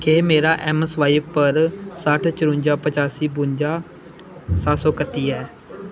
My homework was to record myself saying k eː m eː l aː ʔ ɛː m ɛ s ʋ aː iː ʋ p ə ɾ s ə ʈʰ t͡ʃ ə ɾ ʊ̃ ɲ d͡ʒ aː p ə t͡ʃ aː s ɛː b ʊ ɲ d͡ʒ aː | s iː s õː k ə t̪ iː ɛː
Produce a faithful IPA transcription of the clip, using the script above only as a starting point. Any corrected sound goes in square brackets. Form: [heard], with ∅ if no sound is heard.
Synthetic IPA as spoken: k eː m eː [ɾ] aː ʔ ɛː m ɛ s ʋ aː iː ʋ p ə ɾ s ə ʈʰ t͡ʃ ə ɾ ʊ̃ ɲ d͡ʒ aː p ə t͡ʃ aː s [iː] b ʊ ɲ d͡ʒ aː | s [aː] s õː k ə t̪ iː ɛː

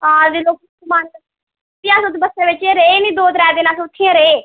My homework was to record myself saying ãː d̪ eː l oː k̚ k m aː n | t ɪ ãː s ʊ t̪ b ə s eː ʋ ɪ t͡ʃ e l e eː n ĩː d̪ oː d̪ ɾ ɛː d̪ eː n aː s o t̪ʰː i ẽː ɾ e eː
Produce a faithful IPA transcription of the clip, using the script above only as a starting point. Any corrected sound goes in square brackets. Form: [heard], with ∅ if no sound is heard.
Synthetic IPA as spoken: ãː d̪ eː l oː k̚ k m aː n | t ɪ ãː s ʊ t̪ b ə s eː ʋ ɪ t͡ʃ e [ɾ] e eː n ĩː d̪ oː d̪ ɾ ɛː d̪ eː n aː s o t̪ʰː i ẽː ɾ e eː

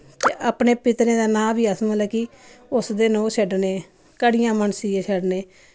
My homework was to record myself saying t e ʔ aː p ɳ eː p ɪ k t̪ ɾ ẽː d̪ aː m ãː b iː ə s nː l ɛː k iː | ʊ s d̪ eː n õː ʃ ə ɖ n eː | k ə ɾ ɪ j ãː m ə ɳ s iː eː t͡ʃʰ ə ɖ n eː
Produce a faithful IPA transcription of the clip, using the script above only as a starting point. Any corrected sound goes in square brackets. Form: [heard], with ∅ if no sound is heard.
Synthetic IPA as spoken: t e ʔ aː p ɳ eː p ɪ [∅] t̪ ɾ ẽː d̪ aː [n] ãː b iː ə s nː l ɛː k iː | ʊ s d̪ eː n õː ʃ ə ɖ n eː | k ə [ɽ] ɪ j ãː m ə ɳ s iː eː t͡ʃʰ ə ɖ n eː

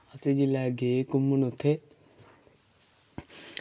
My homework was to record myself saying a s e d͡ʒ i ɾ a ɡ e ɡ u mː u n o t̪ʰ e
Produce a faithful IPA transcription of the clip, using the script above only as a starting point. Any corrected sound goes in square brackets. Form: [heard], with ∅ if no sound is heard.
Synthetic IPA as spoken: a s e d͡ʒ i [l] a ɡ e [k] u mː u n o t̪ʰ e

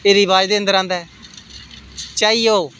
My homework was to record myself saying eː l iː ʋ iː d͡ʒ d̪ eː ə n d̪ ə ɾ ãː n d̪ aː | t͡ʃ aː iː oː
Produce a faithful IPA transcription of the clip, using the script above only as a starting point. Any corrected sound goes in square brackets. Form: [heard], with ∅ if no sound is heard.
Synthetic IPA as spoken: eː [ɾ] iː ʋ [aː] d͡ʒ d̪ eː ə n d̪ ə ɾ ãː n d̪ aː | t͡ʃ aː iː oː

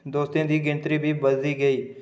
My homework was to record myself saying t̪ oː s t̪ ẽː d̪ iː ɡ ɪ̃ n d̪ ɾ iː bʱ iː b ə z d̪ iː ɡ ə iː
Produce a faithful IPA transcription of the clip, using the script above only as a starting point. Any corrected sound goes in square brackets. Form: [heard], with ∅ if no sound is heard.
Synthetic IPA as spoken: [d̪] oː s t̪ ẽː d̪ iː ɡ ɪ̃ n [t̪] ɾ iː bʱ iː b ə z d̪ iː ɡ ə iː

